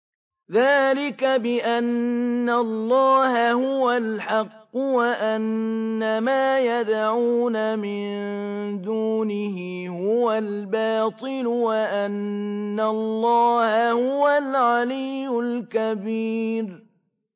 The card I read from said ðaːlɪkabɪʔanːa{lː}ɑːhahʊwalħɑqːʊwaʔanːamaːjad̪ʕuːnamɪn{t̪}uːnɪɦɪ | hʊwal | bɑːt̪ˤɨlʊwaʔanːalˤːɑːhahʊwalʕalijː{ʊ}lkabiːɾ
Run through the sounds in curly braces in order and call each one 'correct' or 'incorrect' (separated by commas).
correct, incorrect, correct